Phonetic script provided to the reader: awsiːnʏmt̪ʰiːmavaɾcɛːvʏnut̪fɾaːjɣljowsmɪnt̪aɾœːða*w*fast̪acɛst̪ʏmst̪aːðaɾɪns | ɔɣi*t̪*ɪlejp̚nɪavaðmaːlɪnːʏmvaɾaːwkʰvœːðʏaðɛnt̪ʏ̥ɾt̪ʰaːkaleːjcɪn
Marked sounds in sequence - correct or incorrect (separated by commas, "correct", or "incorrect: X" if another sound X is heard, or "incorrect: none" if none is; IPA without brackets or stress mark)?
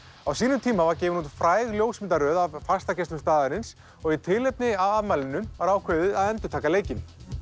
incorrect: v, incorrect: t̪ʰ